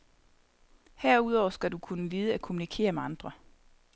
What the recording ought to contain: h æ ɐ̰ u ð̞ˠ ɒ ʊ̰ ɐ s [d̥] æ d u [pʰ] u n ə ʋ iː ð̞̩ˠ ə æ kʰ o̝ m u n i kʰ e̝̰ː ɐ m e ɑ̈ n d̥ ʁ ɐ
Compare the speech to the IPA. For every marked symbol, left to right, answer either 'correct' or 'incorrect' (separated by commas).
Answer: incorrect, incorrect